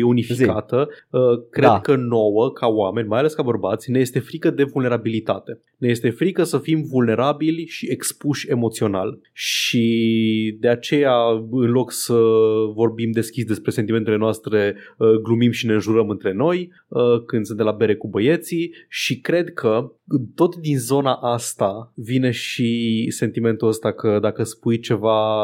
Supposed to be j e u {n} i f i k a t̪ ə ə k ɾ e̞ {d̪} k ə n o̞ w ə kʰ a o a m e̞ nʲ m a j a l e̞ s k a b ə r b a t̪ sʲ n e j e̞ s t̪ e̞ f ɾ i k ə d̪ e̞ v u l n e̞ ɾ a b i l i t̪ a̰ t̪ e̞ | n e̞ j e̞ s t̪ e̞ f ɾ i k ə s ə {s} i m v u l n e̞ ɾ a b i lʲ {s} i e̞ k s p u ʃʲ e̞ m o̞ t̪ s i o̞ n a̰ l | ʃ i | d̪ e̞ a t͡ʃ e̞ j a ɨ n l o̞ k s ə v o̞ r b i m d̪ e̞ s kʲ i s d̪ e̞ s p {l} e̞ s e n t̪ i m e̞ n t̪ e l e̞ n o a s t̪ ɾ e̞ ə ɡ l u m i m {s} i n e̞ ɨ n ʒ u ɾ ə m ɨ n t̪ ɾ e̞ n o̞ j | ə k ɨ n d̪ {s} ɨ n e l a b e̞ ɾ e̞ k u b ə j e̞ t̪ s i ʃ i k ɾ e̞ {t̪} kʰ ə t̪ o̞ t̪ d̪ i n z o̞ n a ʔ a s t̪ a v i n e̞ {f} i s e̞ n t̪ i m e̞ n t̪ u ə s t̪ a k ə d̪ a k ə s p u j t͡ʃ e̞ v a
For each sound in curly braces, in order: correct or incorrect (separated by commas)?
correct, correct, incorrect, incorrect, incorrect, incorrect, correct, incorrect, incorrect